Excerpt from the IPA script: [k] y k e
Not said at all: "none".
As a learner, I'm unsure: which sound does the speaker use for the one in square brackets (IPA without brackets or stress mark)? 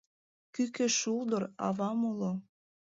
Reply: k